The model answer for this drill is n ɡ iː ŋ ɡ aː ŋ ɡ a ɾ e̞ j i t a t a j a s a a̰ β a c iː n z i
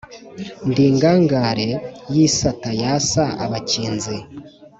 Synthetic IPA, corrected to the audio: n d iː ŋ ɡ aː ŋ ɡ a ɾ e̞ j i s a t a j a s a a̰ β a c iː n z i